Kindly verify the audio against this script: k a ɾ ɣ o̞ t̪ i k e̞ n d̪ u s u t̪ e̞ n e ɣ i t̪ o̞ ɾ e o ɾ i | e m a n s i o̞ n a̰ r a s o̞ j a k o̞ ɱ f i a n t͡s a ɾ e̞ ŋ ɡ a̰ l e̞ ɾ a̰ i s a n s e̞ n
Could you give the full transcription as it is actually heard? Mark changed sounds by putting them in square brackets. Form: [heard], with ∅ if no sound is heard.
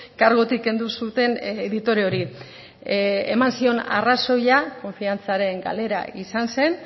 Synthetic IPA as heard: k a ɾ ɣ o̞ t̪ i k e̞ n d̪ u s u t̪ e̞ n e [ð] i t̪ o̞ ɾ e o ɾ i | e m a n s i o̞ n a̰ r a s o̞ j a k o̞ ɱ f i a n t͡s a ɾ e̞ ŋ ɡ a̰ l e̞ ɾ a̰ i s a n s e̞ n